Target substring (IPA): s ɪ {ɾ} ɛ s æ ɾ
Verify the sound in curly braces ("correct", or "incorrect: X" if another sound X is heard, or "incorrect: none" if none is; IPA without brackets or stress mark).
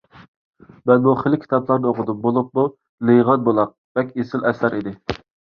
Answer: incorrect: l